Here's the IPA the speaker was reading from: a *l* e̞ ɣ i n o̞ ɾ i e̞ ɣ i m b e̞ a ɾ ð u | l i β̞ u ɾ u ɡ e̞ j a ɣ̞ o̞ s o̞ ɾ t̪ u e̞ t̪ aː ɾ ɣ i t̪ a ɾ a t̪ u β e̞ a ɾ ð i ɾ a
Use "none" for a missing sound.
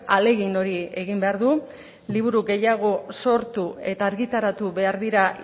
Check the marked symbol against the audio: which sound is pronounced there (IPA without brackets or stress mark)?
l